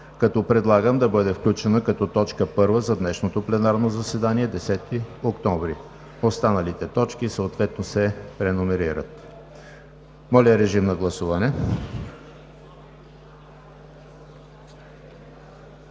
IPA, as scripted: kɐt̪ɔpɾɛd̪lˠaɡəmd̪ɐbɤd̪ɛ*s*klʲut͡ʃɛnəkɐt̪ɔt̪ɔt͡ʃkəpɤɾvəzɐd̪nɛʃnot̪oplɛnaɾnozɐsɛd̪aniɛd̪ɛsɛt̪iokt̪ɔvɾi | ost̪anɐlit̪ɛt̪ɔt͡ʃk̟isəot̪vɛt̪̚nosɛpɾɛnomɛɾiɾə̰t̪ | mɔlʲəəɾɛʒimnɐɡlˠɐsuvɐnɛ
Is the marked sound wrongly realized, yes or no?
yes